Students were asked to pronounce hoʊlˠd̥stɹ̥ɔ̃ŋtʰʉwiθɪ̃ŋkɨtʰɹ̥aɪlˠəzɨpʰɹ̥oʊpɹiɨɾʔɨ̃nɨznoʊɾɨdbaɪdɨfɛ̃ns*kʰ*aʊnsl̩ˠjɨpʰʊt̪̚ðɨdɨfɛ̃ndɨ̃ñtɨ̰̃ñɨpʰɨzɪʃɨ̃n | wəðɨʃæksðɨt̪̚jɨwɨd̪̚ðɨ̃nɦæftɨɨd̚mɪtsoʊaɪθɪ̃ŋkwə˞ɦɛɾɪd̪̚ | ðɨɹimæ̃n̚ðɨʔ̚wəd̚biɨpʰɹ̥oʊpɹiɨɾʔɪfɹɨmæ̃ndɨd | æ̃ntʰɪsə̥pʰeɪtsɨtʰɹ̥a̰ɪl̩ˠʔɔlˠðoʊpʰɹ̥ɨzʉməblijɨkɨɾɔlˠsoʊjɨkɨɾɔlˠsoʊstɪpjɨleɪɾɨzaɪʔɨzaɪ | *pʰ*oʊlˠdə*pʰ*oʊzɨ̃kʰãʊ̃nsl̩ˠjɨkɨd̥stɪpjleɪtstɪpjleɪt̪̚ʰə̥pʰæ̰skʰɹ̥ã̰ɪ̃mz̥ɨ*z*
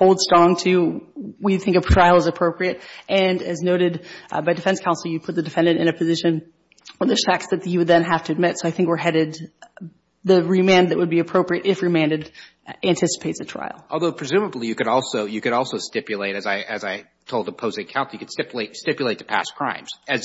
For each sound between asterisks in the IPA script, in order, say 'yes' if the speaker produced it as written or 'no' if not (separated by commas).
yes, no, yes, yes